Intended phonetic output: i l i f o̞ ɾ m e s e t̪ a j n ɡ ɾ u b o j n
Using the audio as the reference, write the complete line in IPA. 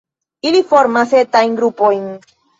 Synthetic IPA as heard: i l i f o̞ ɾ m a s e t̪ a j n ɡ ɾ u p o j n